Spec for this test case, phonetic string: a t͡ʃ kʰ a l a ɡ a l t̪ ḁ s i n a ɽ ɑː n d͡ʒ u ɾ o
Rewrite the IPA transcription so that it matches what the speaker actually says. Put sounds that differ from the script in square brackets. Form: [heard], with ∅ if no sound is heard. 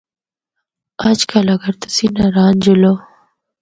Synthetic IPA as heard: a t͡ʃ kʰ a l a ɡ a [ɾ] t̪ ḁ s i n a [ɾ] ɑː n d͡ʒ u [l] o